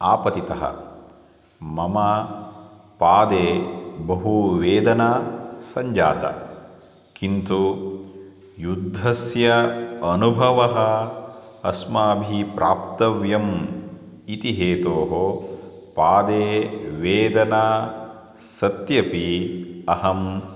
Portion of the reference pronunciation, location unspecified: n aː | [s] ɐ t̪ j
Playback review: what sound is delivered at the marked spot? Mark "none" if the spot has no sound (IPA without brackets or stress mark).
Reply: s